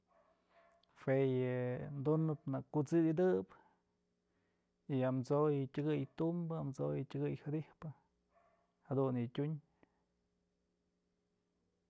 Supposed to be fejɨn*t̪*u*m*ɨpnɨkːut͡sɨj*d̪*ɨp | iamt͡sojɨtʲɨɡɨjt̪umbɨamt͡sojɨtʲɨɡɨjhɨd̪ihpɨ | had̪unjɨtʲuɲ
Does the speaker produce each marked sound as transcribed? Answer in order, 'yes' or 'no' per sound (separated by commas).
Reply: no, no, yes